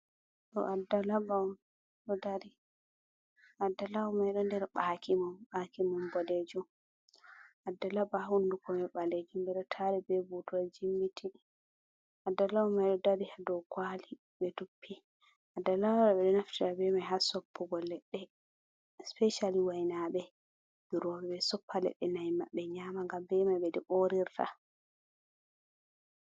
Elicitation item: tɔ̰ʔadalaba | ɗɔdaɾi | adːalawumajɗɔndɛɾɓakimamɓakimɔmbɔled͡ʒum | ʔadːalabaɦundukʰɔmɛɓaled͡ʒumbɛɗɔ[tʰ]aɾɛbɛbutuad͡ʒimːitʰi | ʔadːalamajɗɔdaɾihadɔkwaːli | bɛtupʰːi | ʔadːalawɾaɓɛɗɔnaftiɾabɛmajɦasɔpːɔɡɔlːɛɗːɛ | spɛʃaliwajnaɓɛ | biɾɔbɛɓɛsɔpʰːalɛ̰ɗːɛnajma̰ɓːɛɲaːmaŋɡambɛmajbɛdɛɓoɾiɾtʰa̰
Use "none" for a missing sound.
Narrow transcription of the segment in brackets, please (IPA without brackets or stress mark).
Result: tʰ